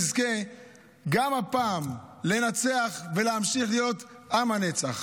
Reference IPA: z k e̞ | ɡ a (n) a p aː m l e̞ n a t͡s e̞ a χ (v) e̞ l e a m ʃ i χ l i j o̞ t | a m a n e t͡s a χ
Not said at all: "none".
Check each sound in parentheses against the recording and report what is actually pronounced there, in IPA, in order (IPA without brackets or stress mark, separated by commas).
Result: m, v